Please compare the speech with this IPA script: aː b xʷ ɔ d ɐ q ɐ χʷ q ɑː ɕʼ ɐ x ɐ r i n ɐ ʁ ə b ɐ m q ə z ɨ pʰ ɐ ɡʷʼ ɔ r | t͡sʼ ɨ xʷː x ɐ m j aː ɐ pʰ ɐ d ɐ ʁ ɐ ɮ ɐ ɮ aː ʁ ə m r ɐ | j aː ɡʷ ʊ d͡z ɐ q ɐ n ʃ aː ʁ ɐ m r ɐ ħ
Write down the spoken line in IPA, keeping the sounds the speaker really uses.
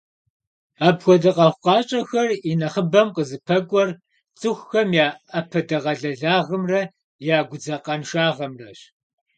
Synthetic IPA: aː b xʷ ɔ d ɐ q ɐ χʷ q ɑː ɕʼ ɐ x ɐ r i n ɐ χ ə b ɐ m q ə z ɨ pʰ ɐ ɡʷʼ ɔ r | t͡sʼ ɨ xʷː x ɐ m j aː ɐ pʰ ɐ d ɐ ʁ ɐ ɮ ɐ ɮ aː ʁ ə m r ɐ | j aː ɡʷ ʊ d͡z ɐ q ɐ n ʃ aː ʁ ɐ m r ɐ ɕ